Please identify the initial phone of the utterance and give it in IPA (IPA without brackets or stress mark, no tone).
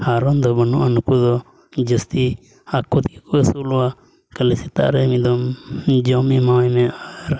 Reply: h